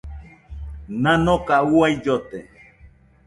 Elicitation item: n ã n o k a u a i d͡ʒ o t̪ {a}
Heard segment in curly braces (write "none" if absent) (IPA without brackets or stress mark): e